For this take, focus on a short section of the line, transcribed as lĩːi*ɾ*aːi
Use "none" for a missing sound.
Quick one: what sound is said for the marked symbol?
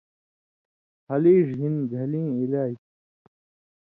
l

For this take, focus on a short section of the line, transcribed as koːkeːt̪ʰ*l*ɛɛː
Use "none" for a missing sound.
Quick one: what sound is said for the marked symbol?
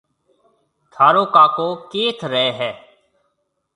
ɾ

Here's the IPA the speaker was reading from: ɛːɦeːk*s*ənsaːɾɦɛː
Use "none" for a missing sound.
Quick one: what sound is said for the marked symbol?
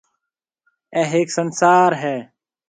s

